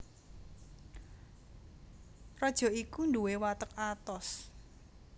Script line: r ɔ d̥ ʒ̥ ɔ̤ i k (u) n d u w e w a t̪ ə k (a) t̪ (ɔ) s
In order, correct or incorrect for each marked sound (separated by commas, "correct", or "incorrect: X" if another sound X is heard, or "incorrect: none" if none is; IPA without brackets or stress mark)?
correct, correct, correct